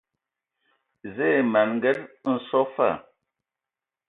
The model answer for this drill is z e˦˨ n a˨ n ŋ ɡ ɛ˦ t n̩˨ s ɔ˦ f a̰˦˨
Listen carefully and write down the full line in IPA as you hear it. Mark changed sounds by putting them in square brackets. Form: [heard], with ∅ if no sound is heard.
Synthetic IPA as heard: z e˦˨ [m] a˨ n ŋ ɡ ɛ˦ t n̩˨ s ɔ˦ f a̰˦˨